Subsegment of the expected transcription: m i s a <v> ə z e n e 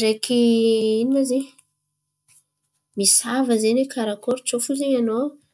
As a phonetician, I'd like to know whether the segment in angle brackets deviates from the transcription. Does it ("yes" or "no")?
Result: no